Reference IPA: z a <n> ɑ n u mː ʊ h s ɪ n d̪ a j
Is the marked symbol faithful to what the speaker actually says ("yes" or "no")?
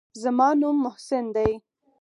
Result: no